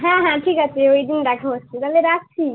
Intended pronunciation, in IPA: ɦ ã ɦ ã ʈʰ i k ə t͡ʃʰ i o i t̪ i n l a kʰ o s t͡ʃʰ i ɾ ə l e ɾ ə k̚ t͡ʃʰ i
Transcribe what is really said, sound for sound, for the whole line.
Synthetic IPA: ɦ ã ɦ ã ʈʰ i k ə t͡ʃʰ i o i d̪ i n ɾ a kʰ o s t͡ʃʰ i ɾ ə l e ɾ a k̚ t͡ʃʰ i

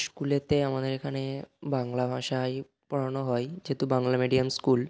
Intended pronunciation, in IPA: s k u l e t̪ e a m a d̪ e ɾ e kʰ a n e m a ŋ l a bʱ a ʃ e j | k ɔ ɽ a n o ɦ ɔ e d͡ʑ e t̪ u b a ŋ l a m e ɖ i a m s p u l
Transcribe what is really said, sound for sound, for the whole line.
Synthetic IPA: s k u l e t̪ e a m a d̪ e ɾ e kʰ a n e b a ŋ l a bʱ a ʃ a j | p ɔ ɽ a n o ɦ ɔ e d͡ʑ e t̪ u b a ŋ l a m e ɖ i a m s k u l

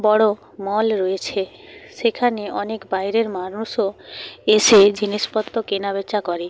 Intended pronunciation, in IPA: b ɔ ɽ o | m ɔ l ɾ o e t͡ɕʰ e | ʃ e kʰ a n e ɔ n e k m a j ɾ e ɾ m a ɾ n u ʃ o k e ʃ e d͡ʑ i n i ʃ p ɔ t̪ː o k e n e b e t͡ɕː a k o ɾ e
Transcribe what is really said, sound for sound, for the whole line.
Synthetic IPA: b ɔ ɽ o | m ɔ l ɾ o e t͡ɕʰ e | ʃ e kʰ a n e ɔ n e k b a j ɾ e ɾ m a ɾ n u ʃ o e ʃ e d͡ʑ i n i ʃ p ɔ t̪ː o k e n a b e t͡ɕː a k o ɾ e

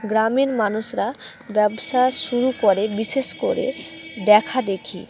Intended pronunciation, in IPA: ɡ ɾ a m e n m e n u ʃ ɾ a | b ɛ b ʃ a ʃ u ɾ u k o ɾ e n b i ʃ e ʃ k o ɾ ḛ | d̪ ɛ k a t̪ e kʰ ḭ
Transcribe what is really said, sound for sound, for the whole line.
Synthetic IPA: ɡ ɾ a m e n m a n u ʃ ɾ a | b ɛ b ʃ a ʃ u ɾ u k o ɾ e b i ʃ e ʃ k o ɾ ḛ | d̪ ɛ kʰ a d̪ e kʰ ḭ

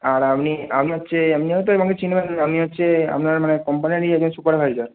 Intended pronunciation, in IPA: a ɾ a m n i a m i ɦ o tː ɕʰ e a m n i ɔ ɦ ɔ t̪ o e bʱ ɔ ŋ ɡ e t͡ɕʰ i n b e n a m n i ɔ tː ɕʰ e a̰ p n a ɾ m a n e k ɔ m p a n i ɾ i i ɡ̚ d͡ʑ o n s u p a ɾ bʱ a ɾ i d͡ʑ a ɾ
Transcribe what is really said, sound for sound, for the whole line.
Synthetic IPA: a ɾ a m n i a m i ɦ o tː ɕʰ e a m n i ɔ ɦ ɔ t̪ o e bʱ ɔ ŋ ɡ e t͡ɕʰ i n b e n a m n i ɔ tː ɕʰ e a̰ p n a ɾ m a n e k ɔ m p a n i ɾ i ɛ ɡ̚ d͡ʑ o n s u p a ɾ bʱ a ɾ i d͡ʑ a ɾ

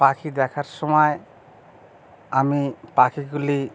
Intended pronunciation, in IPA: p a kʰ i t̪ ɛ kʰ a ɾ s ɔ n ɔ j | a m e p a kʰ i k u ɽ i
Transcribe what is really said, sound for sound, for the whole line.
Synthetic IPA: p a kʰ i d̪ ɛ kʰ a ɾ s ɔ m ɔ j | a m i p a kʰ i ɡ u l i

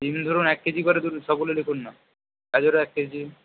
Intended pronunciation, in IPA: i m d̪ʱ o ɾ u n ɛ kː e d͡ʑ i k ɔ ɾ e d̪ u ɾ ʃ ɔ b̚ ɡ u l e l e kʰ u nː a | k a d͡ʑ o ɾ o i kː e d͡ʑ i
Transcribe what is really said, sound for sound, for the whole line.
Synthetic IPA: i m d̪ʱ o ɾ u n ɛ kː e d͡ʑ i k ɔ ɾ e d̪ u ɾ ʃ ɔ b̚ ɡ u l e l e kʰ u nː a | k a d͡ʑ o ɾ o ɛ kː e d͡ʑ i

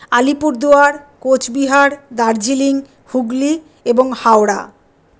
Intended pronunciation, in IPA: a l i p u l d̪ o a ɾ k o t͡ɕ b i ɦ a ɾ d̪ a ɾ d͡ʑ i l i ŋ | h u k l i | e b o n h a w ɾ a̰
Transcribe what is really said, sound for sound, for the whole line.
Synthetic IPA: a l i p u ɾ d̪ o a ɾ k o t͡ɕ b i ɦ a ɾ d̪ a ɾ d͡ʑ i l i ŋ | h u ɡ l i | e b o ŋ h a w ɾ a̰

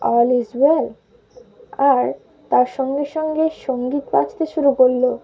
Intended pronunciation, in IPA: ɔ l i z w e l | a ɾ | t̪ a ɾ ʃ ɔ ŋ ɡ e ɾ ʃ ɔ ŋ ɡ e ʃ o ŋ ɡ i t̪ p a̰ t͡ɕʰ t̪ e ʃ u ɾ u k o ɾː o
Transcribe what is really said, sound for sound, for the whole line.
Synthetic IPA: ɔ l i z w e l | a ɾ | t̪ a ɾ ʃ ɔ ŋ ɡ e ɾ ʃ ɔ ŋ ɡ e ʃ o ŋ ɡ i t̪ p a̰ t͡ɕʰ t̪ e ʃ u ɾ u k o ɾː o

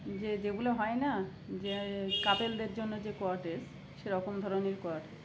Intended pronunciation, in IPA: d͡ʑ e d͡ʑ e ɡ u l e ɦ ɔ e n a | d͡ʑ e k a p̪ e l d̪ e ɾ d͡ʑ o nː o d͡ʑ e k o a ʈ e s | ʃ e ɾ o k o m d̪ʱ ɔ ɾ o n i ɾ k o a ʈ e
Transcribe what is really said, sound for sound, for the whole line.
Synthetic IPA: d͡ʑ e d͡ʑ e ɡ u l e ɦ ɔ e n a | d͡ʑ e k a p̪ e l d̪ e ɾ d͡ʑ o nː o d͡ʑ e k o a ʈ e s | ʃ e ɾ ɔ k o m d̪ʱ ɔ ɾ o n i ɾ k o a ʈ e

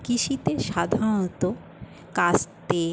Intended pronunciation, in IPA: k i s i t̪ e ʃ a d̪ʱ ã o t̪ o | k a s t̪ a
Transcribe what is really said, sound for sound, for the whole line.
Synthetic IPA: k i ʃ i t̪ e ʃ a d̪ʱ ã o t̪ o | k a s t̪ e

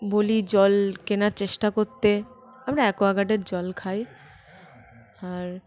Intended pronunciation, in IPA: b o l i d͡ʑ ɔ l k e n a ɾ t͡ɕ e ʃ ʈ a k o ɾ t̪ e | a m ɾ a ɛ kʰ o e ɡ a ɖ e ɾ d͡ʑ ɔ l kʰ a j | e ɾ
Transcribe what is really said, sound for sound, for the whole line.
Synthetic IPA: b o l i d͡ʑ ɔ l k e n a ɾ t͡ɕ e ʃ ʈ a k o ɾ t̪ e | a m ɾ a ɛ k o a ɡ a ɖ e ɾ d͡ʑ ɔ l kʰ a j | a ɾ

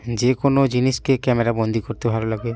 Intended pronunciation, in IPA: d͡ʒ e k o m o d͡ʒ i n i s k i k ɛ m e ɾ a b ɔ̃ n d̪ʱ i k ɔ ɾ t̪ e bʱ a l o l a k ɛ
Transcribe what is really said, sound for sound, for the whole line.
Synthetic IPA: d͡ʒ e k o n o d͡ʒ i n i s k e k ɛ m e ɾ a b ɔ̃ n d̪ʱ i k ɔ ɾ t̪ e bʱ a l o l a ɡ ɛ

